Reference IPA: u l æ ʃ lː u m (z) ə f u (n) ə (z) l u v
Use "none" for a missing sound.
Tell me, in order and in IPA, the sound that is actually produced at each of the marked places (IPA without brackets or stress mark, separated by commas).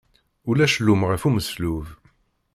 ʁ, m, s